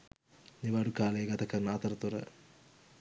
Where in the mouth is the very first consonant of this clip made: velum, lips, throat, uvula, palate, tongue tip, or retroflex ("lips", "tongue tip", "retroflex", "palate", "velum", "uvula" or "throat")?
tongue tip